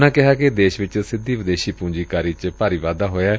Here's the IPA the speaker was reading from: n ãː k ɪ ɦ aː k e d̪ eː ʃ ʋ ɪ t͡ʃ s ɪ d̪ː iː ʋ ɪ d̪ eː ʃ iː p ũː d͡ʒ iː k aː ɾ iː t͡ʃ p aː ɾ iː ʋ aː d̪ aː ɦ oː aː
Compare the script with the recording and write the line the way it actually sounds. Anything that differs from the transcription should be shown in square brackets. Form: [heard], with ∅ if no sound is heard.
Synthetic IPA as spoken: n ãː k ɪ ɦ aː k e d̪ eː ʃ ʋ ɪ t͡ʃ s ɪ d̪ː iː ʋ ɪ d̪ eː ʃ iː p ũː d͡ʒ iː k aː ɾ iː t͡ʃ p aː ɾ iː ʋ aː d̪ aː ɦ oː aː

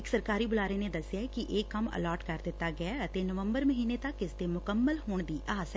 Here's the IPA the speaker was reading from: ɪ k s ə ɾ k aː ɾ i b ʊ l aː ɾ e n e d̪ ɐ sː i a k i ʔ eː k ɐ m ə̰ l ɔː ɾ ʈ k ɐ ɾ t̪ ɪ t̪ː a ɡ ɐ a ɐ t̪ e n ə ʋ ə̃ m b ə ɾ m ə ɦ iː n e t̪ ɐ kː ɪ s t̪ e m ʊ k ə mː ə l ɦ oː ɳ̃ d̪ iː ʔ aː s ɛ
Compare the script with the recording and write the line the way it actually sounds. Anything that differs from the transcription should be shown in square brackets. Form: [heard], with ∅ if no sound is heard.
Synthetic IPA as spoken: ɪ k s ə ɾ k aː ɾ i b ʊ l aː ɾ e n e d̪ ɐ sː [j] a k i ʔ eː k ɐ m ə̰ l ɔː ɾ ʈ k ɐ ɾ [d̪] ɪ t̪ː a ɡ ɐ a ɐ t̪ e n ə ʋ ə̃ m b ə ɾ m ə ɦ iː n e t̪ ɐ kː ɪ s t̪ e m ʊ k ə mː ə l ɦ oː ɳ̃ d̪ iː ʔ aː s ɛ

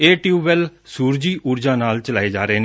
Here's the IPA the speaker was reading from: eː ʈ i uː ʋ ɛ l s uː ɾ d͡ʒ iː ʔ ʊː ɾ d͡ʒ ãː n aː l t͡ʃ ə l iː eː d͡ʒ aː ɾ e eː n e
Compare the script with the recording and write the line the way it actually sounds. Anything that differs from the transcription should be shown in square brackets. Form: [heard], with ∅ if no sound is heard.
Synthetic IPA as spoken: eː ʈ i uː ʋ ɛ l s uː ɾ d͡ʒ iː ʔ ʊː ɾ d͡ʒ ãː n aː l t͡ʃ ə l [aː] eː d͡ʒ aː ɾ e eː n e

